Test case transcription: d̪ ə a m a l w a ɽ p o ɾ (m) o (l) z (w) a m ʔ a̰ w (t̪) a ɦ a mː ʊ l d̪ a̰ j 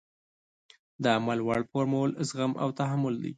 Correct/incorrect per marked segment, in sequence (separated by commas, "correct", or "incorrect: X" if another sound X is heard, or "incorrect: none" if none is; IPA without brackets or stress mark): correct, correct, incorrect: ɣ, correct